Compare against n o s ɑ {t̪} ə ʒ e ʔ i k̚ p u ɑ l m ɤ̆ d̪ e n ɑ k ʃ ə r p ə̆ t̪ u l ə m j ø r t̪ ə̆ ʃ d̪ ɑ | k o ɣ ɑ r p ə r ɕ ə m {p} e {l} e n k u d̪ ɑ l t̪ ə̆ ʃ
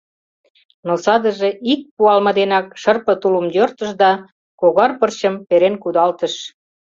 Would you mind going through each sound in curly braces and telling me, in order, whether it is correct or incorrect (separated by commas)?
incorrect, correct, incorrect